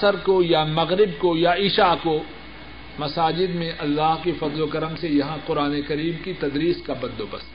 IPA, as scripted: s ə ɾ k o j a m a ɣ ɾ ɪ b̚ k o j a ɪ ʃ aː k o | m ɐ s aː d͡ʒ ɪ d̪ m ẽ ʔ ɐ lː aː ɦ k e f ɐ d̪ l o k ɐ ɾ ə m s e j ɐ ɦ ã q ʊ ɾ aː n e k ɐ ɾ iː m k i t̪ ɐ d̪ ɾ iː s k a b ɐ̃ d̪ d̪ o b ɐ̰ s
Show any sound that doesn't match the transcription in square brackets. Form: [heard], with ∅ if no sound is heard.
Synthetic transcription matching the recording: s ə ɾ k o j a m [ɐ] ɣ ɾ ɪ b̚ k o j a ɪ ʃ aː k o | m ɐ s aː d͡ʒ ɪ d̪ m ẽ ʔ ɐ lː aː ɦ k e f ɐ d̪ l o k ɐ ɾ ə m s e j ɐ ɦ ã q ʊ ɾ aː n e k ɐ ɾ iː m k i t̪ ɐ d̪ ɾ iː s k a b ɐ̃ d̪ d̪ o b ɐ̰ s